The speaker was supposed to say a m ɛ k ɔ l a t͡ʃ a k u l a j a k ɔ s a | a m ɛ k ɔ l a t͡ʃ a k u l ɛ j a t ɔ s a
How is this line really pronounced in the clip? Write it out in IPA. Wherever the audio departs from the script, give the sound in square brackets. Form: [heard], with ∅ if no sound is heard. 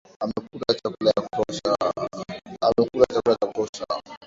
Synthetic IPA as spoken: a m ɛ k [u] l a t͡ʃ a k u l a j a k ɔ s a | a m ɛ k [u] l a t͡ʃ a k u l [a] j a [k] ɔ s a